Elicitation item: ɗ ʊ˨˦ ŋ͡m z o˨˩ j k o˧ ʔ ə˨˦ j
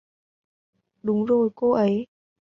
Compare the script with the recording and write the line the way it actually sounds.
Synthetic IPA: ɗ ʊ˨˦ ŋ͡m z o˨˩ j k o˧ ʔ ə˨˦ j